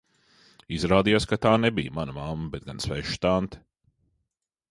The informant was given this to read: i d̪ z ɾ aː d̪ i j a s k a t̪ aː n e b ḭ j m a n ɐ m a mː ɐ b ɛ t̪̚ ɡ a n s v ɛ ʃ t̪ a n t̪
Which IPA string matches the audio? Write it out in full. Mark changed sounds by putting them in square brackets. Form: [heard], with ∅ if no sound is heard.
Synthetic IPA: i [∅] z ɾ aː d̪ i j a s k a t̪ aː n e b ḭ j m a n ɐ m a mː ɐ b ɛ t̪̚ ɡ a n s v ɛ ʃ t̪ a n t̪